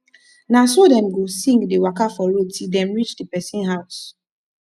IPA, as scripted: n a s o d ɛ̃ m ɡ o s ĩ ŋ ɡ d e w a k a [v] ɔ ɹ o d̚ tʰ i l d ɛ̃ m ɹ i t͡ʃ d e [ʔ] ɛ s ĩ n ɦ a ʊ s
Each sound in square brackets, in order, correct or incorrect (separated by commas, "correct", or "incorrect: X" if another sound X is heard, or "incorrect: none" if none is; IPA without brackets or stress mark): incorrect: f, incorrect: p